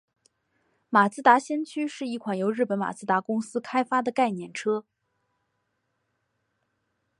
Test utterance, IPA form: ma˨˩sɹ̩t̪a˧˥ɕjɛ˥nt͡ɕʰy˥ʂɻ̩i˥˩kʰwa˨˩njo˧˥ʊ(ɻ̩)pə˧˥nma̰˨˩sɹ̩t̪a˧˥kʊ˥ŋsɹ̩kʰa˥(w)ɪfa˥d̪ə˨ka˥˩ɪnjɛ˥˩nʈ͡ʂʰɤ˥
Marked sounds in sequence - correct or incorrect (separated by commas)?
correct, incorrect